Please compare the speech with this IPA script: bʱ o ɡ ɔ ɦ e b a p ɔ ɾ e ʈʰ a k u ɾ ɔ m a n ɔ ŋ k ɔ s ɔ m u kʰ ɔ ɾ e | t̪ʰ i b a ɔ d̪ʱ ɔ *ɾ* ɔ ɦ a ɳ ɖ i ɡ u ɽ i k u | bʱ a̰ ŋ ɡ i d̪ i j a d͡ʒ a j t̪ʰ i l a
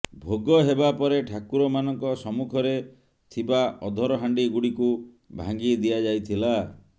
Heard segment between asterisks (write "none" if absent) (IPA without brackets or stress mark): ɾ